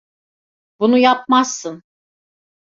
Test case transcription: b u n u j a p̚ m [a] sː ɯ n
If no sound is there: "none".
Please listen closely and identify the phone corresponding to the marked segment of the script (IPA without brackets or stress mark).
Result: a